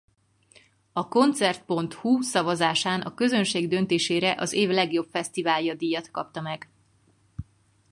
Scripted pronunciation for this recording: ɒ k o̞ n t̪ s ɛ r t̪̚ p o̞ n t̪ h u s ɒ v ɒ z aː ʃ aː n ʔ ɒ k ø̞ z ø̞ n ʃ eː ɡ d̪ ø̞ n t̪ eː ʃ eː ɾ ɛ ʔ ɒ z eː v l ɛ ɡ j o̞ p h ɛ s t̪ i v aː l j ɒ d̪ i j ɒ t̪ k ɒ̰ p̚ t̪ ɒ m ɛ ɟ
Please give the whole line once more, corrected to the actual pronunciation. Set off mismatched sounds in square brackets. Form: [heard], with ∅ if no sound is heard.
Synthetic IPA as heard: ɒ k o̞ n t̪ s ɛ r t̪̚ p o̞ n t̪ h u s ɒ v ɒ z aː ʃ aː n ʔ ɒ k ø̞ z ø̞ n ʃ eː ɡ d̪ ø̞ n t̪ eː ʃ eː ɾ ɛ ʔ ɒ z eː v l ɛ ɡ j o̞ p [f] ɛ s t̪ i v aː l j ɒ d̪ i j ɒ t̪ k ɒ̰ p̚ t̪ ɒ m ɛ [ɡ]